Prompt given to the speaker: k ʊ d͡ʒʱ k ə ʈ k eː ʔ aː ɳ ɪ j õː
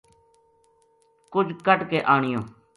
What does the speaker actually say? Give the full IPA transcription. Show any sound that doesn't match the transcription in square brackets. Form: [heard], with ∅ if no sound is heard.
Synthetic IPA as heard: k ʊ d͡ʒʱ k ə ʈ k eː ʔ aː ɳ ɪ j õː